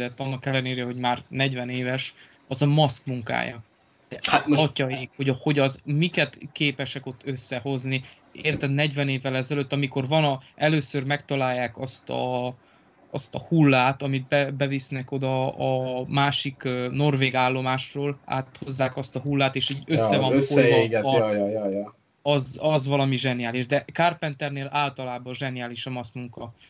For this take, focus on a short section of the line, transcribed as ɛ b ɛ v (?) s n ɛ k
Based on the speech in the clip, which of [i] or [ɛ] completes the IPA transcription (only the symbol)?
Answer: i